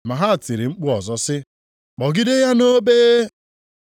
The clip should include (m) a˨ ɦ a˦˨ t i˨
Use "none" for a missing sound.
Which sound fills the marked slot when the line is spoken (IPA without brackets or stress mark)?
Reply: m